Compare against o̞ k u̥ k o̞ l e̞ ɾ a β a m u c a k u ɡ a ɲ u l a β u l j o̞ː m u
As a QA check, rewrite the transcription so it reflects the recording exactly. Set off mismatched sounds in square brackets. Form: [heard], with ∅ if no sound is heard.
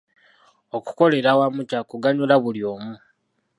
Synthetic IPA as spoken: o̞ k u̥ k o̞ l e̞ ɾ a [w] a m u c a k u ɡ a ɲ u l a β u l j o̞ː m u